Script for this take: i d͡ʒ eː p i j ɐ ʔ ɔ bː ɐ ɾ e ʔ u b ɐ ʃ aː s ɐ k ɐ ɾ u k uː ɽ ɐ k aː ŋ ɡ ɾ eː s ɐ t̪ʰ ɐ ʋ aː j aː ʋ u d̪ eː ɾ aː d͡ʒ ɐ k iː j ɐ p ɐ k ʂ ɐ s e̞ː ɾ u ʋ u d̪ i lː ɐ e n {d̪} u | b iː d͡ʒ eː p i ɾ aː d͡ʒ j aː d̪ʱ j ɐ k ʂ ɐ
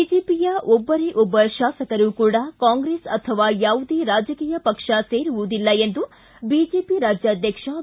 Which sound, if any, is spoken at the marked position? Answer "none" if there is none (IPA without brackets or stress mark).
d̪